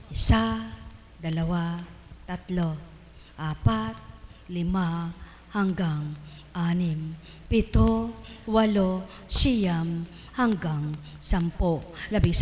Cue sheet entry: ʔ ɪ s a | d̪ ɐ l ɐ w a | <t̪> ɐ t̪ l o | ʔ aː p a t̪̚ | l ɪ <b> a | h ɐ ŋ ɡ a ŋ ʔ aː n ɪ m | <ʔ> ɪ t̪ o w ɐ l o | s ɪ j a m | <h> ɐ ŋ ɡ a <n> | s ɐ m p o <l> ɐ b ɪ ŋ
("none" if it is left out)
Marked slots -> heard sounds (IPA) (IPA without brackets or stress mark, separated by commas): t̪, m, p, h, ŋ, l